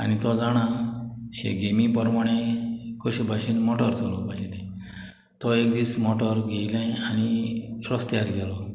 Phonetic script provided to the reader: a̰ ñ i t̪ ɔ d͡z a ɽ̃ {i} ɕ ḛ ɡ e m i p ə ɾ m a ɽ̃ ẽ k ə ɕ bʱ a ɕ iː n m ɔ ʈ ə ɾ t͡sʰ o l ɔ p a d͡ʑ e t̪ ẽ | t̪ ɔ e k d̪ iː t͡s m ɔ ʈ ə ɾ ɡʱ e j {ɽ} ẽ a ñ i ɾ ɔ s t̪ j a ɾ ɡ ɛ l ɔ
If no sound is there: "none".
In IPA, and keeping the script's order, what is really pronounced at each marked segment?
a, l

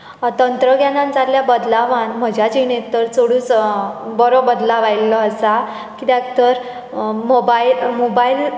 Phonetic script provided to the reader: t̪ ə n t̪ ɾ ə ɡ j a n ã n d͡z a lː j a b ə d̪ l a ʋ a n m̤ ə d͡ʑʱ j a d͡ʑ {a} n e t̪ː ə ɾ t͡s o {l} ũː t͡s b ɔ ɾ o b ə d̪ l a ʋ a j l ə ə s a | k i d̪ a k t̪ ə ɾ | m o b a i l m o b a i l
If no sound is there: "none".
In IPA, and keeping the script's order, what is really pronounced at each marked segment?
i, ɽ

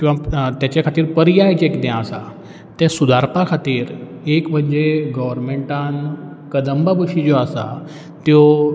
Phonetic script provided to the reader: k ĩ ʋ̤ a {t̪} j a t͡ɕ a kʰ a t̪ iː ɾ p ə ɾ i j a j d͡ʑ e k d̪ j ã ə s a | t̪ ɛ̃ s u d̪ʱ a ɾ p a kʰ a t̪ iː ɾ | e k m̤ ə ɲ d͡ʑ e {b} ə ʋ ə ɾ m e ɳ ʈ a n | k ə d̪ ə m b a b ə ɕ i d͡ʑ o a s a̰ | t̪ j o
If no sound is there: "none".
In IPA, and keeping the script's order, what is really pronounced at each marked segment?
t̪, ɡ

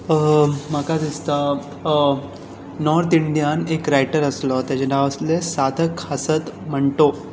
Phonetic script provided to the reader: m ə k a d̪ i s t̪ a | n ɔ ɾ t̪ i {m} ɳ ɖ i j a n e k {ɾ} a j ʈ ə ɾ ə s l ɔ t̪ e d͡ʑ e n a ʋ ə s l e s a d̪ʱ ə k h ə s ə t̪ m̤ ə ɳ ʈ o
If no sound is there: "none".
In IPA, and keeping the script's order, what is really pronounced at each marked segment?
none, ɾ

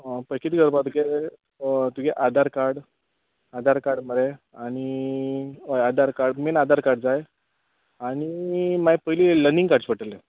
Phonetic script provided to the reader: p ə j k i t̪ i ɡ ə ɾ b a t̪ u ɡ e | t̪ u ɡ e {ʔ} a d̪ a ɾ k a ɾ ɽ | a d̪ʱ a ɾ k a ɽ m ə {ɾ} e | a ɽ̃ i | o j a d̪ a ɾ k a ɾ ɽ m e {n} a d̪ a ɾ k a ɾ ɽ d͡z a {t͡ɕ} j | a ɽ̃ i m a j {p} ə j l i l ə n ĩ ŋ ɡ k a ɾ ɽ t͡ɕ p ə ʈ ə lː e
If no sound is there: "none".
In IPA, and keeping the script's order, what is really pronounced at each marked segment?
ʔ, ɾ, n, none, p

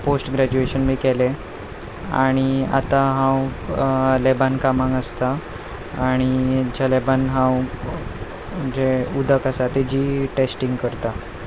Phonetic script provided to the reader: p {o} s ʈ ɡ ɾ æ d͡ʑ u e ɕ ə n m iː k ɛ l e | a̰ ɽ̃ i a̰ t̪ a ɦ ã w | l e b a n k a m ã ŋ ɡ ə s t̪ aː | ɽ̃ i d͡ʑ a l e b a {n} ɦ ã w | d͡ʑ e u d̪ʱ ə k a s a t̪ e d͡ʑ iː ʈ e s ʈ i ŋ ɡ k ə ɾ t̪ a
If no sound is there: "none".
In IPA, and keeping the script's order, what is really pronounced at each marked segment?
o, n

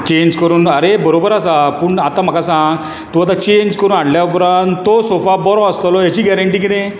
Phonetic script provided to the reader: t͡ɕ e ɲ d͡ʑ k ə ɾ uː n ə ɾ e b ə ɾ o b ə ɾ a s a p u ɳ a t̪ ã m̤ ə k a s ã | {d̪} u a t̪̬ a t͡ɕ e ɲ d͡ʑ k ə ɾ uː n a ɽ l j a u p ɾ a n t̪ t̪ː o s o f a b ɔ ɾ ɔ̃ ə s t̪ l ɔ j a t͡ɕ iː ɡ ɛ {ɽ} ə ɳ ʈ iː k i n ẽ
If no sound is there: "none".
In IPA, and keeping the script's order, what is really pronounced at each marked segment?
t̪, ɾ

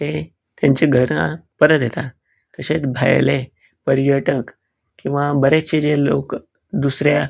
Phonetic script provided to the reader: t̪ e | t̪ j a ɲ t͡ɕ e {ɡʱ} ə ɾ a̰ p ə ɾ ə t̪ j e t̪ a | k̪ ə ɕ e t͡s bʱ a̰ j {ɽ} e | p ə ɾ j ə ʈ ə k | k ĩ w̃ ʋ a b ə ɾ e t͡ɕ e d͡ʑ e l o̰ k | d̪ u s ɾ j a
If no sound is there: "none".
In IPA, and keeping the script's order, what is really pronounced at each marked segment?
ɡʱ, l

